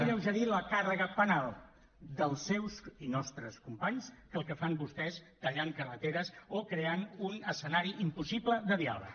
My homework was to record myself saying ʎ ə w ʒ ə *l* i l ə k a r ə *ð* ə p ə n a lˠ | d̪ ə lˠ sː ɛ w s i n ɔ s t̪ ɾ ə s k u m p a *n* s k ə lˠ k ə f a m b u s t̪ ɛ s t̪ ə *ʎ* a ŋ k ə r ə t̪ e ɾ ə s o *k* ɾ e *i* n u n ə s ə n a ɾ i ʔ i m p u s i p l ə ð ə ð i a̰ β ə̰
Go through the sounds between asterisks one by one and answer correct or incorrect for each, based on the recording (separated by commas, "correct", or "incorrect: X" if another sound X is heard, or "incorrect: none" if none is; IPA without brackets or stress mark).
incorrect: ɾ, incorrect: ɣ, incorrect: ɲ, correct, correct, incorrect: a